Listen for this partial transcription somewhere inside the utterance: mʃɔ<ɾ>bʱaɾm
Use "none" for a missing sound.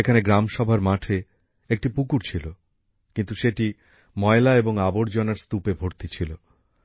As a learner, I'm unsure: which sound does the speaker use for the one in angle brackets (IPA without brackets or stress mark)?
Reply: none